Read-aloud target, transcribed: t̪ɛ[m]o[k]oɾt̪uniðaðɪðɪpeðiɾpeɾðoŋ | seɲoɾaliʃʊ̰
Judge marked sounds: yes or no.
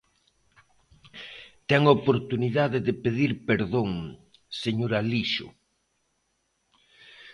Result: no, no

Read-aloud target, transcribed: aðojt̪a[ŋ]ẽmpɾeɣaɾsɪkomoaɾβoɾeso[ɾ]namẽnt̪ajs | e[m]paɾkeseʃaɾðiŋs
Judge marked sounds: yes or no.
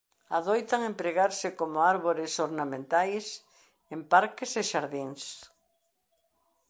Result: yes, yes, yes

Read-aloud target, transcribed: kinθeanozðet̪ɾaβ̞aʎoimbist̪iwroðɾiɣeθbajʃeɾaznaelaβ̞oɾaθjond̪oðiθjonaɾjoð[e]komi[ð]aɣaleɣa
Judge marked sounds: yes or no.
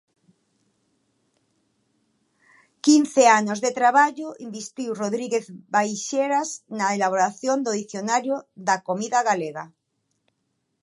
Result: no, yes

